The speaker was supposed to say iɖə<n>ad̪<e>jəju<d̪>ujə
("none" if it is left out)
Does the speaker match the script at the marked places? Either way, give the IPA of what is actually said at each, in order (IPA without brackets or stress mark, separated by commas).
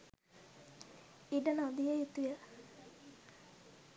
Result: n, i, t̪